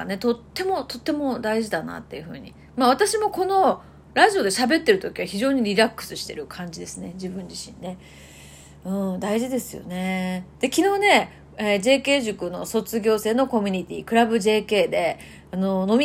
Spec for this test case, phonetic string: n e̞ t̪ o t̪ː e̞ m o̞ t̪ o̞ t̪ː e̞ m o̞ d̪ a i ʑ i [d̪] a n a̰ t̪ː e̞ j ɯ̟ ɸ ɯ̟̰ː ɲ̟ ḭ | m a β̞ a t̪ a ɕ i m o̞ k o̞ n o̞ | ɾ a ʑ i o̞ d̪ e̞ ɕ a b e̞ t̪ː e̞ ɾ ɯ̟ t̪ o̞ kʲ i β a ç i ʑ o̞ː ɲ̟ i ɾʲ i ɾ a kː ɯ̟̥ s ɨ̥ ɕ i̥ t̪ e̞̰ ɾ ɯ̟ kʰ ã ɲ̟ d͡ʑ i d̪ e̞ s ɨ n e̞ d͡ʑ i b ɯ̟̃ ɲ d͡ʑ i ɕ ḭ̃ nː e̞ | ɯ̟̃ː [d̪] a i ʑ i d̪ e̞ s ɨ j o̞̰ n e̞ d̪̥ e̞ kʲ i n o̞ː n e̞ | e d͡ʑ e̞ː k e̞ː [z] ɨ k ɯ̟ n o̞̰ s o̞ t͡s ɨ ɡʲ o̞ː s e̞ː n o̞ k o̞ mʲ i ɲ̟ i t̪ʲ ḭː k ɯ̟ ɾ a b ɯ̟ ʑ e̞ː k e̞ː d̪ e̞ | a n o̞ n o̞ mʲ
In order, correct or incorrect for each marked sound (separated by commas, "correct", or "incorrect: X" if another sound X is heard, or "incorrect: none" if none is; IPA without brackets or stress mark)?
correct, correct, incorrect: ʑ